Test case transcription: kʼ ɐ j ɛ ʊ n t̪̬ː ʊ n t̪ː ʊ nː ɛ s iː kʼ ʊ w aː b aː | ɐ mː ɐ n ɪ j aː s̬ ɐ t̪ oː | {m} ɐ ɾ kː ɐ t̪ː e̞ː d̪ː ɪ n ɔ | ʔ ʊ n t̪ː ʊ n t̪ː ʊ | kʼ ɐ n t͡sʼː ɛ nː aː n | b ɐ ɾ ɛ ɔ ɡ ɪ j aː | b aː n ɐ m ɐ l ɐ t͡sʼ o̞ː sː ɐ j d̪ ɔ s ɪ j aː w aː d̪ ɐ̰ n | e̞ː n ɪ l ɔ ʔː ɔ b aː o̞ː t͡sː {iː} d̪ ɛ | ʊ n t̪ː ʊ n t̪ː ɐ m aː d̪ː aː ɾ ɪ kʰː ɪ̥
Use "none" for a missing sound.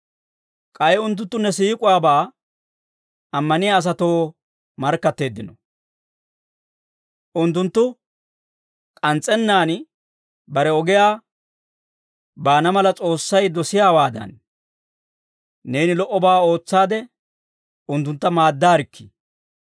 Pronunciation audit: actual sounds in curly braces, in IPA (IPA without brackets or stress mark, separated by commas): m, aː